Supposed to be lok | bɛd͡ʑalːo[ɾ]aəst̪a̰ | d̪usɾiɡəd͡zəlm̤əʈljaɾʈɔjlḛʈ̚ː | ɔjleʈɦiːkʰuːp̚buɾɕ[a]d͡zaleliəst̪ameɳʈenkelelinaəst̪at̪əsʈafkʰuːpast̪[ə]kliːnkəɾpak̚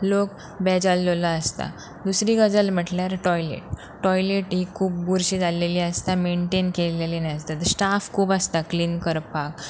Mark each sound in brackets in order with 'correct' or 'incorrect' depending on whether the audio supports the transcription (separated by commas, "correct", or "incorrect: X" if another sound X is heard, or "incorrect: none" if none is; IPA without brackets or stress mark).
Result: incorrect: l, incorrect: i, incorrect: a